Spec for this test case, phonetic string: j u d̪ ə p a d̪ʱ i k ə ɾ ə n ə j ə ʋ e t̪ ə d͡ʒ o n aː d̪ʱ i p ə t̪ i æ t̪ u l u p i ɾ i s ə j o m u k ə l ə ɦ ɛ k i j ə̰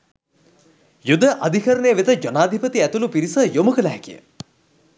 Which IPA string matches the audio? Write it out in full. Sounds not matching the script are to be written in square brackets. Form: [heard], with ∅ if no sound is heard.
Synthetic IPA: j u d̪ ə [ʔ] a d̪ʱ i k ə ɾ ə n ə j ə ʋ e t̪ ə d͡ʒ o n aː d̪ʱ i p ə t̪ i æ t̪ u l u p i ɾ i s ə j o m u k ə l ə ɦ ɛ k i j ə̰